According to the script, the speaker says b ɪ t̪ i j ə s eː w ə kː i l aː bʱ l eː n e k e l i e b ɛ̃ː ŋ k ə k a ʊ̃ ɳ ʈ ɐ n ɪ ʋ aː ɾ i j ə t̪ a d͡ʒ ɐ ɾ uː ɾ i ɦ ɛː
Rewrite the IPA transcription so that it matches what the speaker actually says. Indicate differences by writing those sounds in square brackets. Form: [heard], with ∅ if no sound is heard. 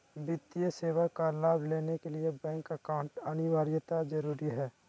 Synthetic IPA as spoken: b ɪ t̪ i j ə s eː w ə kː [a] l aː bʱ l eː n e k e l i e b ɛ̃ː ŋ k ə k a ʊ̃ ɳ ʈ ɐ n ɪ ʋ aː ɾ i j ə t̪ a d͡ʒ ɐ ɾ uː ɾ i ɦ ɛː